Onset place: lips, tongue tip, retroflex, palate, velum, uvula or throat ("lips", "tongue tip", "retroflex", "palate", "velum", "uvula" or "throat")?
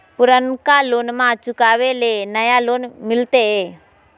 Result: lips